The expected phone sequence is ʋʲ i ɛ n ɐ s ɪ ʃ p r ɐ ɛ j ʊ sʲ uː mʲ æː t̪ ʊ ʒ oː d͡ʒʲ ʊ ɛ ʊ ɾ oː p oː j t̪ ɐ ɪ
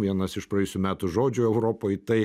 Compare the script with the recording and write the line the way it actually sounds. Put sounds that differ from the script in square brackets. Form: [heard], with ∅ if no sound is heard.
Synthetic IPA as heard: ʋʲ i ɛ n ɐ s ɪ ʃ p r ɐ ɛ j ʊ sʲ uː mʲ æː t̪ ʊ ʒ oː d͡ʒʲ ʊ ɛ ʊ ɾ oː p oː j t̪ ɐ ɪ